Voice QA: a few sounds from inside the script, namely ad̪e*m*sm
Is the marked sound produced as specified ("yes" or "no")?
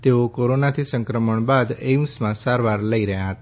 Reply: yes